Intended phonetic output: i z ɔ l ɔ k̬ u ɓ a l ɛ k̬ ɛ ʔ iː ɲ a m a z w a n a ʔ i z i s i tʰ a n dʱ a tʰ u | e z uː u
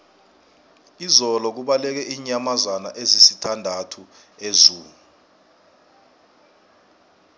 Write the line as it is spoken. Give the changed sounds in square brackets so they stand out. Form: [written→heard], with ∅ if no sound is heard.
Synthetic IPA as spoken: i z ɔ l ɔ k̬ u ɓ a l ɛ k̬ ɛ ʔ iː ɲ a m a z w a n a ʔ [i→e] z i s i tʰ a n dʱ a tʰ u | e z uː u